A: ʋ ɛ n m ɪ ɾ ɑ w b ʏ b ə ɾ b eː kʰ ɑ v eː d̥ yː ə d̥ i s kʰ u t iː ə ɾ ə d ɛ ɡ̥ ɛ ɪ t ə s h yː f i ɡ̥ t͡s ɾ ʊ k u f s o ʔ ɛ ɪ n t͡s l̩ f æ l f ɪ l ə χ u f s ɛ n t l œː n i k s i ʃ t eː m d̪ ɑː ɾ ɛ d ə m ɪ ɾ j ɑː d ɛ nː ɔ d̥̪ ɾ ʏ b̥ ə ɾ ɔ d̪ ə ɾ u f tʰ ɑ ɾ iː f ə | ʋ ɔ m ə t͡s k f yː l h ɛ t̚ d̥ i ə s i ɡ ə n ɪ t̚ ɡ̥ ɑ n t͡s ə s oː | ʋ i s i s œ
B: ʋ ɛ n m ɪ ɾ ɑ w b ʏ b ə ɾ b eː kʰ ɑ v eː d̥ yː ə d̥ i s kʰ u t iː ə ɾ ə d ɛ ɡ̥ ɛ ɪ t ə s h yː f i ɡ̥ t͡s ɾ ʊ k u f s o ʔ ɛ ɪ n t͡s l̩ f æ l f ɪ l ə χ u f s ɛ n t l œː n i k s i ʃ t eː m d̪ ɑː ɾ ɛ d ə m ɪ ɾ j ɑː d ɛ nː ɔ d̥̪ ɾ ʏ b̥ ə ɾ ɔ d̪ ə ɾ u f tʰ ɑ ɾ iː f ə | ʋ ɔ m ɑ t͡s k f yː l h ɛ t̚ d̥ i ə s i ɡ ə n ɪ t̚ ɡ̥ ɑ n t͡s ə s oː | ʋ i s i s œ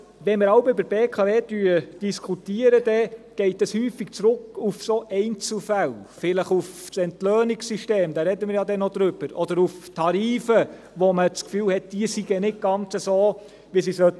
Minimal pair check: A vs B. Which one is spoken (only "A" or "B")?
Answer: A